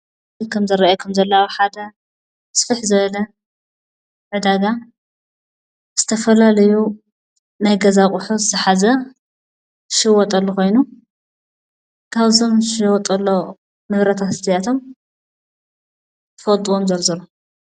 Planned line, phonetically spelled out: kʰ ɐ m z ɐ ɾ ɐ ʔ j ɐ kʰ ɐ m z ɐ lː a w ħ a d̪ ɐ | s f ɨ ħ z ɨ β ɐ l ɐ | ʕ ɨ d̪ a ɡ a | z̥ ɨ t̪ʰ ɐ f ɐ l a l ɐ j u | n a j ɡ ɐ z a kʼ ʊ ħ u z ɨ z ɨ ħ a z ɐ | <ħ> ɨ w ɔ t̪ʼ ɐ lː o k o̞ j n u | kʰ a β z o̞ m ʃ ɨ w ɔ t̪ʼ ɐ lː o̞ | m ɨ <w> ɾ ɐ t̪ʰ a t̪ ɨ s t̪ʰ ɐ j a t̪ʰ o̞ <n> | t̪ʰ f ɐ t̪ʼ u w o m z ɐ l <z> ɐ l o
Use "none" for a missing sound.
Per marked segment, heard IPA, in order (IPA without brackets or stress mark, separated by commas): ʃ, β, m, z